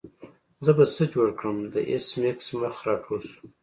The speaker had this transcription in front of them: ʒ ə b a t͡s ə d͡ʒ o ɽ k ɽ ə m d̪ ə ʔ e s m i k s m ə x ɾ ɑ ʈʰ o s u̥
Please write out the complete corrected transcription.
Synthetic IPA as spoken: z ə b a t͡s ə d͡ʒ o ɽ k ɽ ə m d̪ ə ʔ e s m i k s m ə x ɾ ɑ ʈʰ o s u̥